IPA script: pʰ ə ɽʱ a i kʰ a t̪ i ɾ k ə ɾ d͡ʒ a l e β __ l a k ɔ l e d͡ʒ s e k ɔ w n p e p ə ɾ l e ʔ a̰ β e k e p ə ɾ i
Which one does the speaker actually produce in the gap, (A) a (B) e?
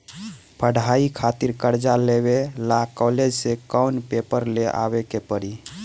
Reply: B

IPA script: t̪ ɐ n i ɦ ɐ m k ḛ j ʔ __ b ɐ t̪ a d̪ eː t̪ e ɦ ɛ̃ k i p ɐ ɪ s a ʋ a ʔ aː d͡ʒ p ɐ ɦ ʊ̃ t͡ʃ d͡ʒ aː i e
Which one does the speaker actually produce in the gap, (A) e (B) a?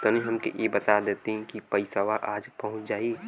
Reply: A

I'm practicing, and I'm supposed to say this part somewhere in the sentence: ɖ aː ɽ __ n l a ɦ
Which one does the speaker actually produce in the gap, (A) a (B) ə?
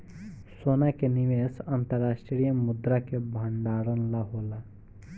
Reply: B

